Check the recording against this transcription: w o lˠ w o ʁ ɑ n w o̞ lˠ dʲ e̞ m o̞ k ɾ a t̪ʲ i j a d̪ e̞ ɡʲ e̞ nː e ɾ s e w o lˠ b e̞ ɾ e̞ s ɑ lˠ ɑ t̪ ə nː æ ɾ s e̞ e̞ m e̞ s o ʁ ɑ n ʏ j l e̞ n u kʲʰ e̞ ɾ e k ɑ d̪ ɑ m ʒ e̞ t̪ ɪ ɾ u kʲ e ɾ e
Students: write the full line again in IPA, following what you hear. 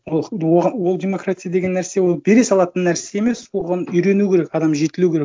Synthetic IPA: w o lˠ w o ʁ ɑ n w o̞ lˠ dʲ e̞ m o̞ k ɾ a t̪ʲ i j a d̪ e̞ ɡʲ e̞ nː æ ɾ s e w o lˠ b e̞ ɾ e̞ s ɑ lˠ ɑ t̪ ə nː æ ɾ s e̞ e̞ m e̞ s o ʁ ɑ n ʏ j ɾ e̞ n u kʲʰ e̞ ɾ e k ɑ d̪ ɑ m ʒ e̞ t̪ ɪ l u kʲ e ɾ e